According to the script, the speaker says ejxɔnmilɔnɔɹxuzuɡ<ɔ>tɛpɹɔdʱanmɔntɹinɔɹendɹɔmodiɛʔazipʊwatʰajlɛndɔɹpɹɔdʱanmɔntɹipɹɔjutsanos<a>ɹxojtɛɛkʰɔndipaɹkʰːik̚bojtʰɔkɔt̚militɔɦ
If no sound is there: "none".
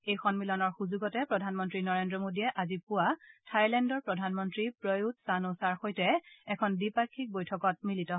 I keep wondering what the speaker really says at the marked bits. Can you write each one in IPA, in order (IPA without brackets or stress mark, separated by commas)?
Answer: ɔ, a